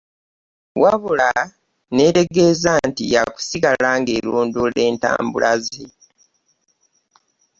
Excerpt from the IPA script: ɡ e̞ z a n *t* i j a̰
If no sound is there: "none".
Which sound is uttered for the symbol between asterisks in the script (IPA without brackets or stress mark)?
t